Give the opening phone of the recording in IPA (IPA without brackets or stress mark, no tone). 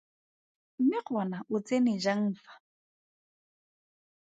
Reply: m̩